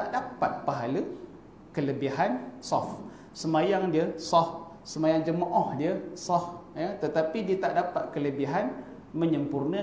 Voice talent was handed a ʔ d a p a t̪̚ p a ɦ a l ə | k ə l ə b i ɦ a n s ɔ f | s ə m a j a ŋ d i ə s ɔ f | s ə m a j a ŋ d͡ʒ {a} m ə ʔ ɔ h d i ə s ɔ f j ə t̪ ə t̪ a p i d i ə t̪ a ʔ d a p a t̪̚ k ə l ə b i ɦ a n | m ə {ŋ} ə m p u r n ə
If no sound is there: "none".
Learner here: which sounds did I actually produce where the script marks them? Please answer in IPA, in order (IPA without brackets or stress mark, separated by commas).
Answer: ə, ɲ